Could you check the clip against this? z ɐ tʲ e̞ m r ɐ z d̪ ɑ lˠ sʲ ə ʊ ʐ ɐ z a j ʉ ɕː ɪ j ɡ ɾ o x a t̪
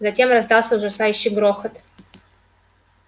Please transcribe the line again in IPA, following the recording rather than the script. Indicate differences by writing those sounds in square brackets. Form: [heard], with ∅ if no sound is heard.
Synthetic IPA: z ɐ tʲ e̞ m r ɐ z d̪ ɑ lˠ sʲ ə ʊ ʐ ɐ [s] a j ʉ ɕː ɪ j ɡ ɾ o x [ə] t̪